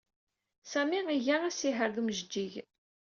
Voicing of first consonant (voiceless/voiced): voiceless